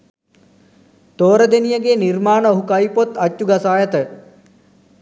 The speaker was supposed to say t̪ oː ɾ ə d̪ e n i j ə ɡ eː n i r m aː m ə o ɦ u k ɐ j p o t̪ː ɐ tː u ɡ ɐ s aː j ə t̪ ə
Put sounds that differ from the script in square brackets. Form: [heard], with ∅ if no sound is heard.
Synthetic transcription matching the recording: t̪ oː ɾ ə d̪ e n i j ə ɡ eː n i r m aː [n] ə o ɦ u k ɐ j p o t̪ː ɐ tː u ɡ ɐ s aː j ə t̪ ə